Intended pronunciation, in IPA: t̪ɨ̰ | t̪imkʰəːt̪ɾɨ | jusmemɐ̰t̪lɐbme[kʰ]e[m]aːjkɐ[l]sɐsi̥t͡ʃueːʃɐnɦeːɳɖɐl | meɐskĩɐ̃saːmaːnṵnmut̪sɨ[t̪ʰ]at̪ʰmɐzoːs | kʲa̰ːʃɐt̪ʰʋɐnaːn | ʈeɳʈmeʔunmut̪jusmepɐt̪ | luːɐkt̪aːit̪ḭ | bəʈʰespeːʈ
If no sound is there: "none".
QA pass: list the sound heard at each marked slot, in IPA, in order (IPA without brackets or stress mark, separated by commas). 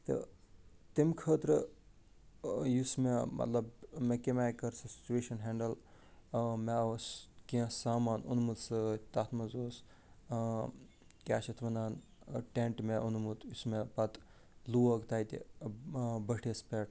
k, m, ɾ, t̪